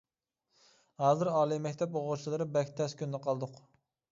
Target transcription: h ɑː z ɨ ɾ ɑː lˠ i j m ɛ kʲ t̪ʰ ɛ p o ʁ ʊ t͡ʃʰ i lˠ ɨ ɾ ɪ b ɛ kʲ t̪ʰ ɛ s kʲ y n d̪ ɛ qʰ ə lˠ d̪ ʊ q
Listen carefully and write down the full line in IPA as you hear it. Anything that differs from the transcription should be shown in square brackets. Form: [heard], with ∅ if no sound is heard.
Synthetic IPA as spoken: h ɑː z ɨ ɾ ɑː lˠ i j m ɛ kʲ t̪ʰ ɛ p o ʁ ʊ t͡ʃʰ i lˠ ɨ ɾ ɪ b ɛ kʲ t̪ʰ ɛ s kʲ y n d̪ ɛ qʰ [ɑ] lˠ d̪ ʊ q